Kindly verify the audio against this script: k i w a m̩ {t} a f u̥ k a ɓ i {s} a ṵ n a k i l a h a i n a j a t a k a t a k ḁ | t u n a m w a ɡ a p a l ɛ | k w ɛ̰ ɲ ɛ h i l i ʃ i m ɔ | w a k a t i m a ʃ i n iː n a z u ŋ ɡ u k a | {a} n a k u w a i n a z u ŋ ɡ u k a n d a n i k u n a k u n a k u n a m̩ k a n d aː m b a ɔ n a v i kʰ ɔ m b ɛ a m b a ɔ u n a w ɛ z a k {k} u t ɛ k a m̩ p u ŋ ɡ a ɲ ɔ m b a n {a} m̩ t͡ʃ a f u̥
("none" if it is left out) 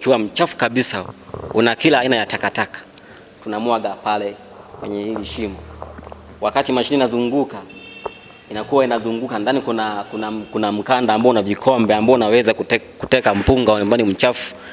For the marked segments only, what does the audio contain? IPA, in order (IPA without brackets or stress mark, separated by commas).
t͡ʃ, s, i, k, i